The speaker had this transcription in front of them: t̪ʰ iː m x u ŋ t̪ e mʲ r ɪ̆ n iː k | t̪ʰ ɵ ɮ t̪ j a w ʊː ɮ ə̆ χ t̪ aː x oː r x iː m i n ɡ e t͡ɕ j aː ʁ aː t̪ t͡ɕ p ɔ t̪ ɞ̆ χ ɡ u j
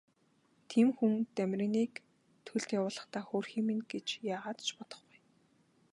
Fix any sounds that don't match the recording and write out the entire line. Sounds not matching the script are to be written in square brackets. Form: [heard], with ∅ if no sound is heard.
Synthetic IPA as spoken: t̪ʰ iː m x u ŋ t̪ [æ] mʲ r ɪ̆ n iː k | t̪ʰ ɵ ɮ t̪ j a w ʊː ɮ ə̆ χ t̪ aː x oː r x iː m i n ɡ e t͡ɕ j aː ʁ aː t̪ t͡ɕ p ɔ t̪ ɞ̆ χ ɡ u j